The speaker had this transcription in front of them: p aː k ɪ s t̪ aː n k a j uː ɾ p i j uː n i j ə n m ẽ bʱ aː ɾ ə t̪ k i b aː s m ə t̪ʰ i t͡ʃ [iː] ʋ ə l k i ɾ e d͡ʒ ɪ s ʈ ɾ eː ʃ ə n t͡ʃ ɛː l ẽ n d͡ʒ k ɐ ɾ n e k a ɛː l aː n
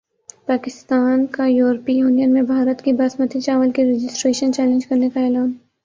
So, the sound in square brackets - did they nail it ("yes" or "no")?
no